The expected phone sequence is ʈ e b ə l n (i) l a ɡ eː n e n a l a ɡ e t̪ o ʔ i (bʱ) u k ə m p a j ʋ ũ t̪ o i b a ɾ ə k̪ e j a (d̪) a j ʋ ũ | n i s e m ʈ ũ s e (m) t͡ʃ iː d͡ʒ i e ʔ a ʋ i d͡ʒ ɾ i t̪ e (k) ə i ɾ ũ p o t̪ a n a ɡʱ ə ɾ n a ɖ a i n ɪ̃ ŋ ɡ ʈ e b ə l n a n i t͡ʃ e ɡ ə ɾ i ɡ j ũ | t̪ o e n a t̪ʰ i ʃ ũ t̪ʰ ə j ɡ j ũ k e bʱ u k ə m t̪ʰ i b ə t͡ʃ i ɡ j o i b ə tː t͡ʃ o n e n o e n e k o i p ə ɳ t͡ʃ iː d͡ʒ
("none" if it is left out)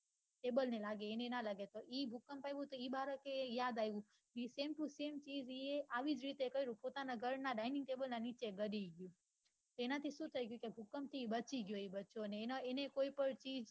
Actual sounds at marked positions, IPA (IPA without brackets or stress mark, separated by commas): e, bʱ, d̪, m, k